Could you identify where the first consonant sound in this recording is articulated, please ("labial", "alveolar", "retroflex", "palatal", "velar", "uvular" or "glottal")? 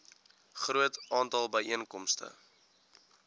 uvular